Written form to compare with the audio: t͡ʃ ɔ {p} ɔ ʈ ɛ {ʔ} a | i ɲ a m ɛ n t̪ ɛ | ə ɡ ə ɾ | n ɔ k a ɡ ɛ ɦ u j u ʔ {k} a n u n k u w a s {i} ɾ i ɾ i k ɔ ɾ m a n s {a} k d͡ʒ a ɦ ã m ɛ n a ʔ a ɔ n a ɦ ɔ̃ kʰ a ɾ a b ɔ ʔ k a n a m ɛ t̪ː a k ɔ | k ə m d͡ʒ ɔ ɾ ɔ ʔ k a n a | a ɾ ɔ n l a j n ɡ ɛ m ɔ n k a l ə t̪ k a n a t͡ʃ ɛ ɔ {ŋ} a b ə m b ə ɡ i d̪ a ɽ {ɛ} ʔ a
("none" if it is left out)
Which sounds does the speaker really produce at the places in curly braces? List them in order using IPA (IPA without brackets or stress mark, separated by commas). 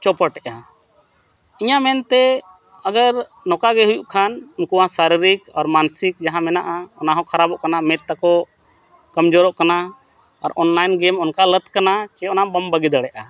p, ʔ, kʰ, a, i, n, ɛ